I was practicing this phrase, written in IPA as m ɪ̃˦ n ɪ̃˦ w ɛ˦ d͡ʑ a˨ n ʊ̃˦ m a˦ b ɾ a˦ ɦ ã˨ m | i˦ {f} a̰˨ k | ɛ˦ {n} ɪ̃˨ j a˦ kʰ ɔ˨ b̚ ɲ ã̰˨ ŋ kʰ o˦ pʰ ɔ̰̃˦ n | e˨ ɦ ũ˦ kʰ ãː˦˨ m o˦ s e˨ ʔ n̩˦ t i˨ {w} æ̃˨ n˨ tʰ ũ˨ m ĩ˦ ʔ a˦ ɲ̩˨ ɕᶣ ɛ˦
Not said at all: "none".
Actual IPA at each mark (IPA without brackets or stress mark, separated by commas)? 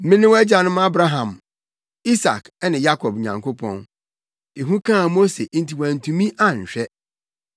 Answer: s, n, w